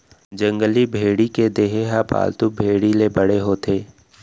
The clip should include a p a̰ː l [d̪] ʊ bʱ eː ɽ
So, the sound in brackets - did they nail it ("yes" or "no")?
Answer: no